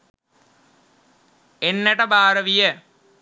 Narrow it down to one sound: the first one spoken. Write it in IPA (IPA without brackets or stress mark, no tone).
e